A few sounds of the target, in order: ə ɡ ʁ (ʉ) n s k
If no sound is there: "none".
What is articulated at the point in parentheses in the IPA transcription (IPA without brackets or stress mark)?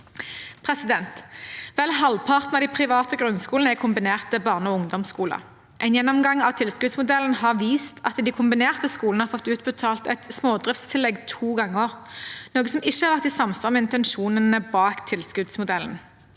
ʉ